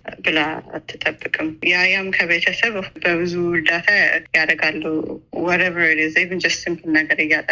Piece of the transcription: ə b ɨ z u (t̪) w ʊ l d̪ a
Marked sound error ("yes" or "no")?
yes